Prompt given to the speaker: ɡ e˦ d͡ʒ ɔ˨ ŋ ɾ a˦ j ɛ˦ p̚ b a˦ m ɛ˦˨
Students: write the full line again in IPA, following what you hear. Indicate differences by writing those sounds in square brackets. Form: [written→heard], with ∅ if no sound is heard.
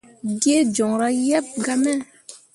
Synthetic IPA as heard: ɡ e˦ d͡ʒ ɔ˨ ŋ ɾ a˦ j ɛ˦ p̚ [b→ɡ] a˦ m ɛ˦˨

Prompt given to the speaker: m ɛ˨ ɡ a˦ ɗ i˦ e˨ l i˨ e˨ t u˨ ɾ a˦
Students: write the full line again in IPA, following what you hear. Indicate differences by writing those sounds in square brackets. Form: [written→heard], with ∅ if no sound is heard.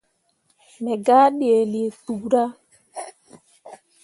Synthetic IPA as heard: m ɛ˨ ɡ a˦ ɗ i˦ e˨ l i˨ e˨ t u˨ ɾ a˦

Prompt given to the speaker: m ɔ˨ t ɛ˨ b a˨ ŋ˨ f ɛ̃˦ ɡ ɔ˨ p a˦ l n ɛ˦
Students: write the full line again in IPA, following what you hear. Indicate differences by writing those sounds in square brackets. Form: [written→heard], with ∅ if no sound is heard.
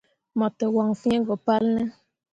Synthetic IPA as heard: m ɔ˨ t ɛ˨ [b→w] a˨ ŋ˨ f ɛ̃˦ ɡ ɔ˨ p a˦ l n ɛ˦

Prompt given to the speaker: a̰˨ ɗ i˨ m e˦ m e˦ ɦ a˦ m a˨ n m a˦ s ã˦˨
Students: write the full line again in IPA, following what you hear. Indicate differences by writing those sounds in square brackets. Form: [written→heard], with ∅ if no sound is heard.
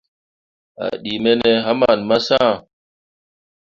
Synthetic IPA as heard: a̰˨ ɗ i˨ m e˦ [m→n] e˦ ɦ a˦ m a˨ n m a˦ s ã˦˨

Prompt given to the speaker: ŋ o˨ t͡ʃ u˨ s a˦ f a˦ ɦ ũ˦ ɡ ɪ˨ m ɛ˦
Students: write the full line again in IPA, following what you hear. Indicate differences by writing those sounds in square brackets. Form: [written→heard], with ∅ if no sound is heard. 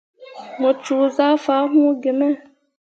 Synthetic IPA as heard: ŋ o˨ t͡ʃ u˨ [s→z] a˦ f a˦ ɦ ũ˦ ɡ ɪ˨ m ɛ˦

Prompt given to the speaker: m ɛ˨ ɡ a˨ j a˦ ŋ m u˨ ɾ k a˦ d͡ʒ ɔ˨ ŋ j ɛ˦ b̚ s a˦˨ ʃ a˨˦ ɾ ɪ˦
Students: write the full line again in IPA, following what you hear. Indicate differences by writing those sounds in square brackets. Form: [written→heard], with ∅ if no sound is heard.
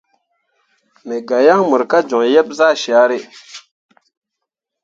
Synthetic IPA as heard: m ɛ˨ ɡ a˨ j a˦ ŋ m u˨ ɾ k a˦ d͡ʒ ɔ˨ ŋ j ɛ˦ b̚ [s→z] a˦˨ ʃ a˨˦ ɾ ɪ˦

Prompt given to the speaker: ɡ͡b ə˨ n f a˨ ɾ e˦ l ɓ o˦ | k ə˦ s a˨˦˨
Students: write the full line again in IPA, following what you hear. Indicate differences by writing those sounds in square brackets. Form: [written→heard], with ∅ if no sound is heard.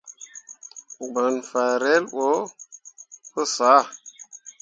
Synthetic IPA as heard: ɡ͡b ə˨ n f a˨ ɾ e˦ l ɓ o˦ | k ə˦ s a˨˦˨

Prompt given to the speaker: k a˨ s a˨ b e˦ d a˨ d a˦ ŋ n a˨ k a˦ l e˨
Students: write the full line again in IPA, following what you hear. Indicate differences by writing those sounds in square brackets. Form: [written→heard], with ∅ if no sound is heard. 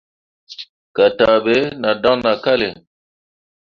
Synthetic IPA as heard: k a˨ [s→t] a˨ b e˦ [d→n] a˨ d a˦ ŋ n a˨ k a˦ l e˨

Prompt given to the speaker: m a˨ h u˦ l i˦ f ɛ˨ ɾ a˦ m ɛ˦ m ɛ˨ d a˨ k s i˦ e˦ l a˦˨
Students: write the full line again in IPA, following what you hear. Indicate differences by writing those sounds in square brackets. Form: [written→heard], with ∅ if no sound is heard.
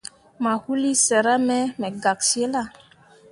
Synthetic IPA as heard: m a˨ h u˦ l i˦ [f→s] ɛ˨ ɾ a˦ m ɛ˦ m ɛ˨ [d→ɡ] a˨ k s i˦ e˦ l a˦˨

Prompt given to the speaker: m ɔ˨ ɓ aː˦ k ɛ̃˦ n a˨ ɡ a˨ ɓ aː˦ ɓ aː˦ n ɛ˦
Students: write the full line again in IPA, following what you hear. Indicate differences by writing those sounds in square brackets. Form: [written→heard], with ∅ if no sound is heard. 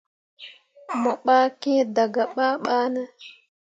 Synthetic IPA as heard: m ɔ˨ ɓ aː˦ k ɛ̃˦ [n→d] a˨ ɡ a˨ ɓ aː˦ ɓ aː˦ n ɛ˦

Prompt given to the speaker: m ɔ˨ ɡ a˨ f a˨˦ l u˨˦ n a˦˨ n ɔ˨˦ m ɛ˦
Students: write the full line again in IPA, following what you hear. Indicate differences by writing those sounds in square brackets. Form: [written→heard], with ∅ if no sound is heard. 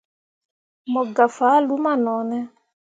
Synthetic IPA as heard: m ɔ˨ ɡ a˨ f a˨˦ l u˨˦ [n→m] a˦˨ n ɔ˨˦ [m→n] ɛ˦

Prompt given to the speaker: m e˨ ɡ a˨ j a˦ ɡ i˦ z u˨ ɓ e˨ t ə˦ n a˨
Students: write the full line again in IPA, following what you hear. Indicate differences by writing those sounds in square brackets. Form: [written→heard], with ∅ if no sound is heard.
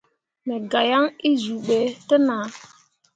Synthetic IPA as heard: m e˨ ɡ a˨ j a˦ [ɡ→ŋ] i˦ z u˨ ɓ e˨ t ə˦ n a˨

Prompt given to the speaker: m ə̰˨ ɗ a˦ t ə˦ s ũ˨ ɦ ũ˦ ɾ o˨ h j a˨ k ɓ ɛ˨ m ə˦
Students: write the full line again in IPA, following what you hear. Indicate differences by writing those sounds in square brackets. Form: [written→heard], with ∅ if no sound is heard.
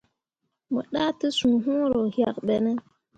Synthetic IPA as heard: m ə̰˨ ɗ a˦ t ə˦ s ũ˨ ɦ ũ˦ ɾ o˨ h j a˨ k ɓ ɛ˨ [m→n] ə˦

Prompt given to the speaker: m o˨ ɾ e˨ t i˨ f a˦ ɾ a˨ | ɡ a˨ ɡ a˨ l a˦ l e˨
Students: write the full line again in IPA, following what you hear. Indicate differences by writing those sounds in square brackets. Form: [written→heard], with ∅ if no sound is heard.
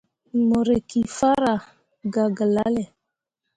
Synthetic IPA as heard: m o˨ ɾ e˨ [t→k] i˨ f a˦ ɾ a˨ | ɡ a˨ ɡ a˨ l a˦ l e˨

